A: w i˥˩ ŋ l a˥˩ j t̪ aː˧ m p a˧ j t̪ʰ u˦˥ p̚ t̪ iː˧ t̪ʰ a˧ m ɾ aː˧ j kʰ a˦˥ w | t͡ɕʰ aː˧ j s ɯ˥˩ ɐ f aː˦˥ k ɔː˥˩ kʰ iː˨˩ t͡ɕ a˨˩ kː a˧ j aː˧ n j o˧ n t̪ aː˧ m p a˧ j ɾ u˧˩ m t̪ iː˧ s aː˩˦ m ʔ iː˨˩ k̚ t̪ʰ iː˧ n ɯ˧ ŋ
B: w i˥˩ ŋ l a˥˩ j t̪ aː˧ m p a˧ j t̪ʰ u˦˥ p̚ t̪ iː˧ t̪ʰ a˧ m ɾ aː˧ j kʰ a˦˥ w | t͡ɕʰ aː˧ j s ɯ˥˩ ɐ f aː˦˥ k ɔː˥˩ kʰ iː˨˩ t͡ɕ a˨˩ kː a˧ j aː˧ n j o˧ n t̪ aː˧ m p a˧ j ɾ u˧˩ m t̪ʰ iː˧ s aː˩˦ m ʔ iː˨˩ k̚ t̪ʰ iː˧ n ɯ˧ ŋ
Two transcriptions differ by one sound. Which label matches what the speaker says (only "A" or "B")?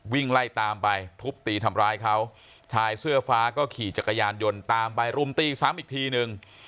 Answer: A